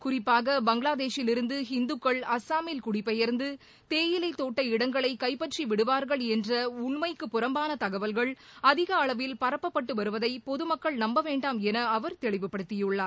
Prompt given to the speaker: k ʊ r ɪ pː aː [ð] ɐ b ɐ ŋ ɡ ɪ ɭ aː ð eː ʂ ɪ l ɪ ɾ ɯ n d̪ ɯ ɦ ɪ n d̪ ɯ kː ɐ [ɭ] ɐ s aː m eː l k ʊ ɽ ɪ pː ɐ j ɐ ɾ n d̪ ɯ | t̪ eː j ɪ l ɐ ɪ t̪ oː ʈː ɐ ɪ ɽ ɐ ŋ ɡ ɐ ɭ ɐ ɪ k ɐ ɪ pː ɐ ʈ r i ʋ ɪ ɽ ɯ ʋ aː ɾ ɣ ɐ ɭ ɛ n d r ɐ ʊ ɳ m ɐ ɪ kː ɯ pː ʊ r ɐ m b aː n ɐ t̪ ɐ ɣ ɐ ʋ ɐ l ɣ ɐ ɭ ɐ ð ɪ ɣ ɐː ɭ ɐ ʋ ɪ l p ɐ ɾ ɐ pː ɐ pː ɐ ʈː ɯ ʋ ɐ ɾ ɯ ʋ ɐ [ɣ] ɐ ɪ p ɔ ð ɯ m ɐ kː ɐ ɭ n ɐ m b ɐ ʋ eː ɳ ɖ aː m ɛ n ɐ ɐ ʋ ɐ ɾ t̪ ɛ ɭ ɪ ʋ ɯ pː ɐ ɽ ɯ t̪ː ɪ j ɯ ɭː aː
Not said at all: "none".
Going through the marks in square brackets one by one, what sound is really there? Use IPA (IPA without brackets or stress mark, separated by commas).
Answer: ɣ, ɭ, ð